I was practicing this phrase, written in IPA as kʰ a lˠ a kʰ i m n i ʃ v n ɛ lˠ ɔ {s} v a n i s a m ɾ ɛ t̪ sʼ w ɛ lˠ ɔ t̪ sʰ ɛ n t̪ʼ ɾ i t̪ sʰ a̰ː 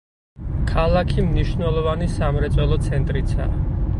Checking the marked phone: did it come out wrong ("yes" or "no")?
yes